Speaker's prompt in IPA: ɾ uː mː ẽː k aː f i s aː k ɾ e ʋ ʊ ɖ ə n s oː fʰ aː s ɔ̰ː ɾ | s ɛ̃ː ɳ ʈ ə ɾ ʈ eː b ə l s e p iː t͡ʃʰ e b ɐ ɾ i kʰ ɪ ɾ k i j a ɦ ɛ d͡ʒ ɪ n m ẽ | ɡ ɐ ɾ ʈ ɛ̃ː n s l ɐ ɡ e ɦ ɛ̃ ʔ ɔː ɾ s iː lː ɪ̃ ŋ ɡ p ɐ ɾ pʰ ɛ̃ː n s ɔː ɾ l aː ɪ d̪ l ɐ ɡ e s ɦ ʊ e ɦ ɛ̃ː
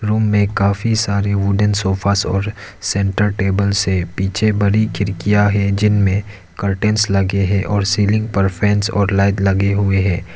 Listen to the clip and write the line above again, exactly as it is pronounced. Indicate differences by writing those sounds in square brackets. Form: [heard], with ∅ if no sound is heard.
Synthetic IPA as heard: ɾ uː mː [ẽ] k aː f i s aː [∅] ɾ e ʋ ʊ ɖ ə n s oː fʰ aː s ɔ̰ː ɾ | s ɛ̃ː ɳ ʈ ə ɾ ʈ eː b ə l s e p iː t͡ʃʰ e b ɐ ɾ i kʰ ɪ ɾ k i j a ɦ ɛ d͡ʒ ɪ n m ẽ | [k] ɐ ɾ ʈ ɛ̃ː n s l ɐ ɡ e ɦ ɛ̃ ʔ ɔː ɾ s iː [l] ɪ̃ ŋ ɡ p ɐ ɾ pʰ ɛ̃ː n s ɔː ɾ l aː ɪ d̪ l ɐ ɡ e [∅] ɦ ʊ e ɦ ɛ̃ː